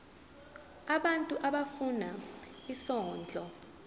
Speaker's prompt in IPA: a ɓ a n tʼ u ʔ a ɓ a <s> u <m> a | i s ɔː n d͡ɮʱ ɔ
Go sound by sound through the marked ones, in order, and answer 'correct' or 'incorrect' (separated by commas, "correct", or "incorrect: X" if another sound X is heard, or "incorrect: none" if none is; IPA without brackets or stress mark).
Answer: incorrect: f, incorrect: n